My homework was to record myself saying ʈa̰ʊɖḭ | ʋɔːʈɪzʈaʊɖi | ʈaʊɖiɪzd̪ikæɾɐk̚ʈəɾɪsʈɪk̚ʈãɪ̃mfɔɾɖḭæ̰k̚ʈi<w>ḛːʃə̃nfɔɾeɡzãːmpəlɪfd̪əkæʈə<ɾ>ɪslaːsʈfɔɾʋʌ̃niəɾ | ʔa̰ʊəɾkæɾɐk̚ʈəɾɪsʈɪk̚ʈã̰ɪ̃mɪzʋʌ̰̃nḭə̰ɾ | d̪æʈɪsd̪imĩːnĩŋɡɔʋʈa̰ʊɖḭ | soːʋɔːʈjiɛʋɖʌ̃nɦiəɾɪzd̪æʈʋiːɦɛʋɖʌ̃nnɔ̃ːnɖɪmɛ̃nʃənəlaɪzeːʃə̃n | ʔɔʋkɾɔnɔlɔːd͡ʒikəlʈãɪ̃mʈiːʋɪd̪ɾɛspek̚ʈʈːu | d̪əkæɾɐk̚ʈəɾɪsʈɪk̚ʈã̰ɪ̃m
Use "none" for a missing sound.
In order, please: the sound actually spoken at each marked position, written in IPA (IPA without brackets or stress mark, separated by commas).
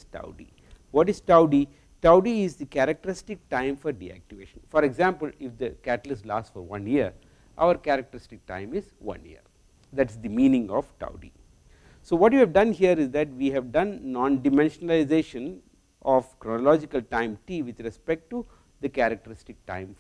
ʋ, l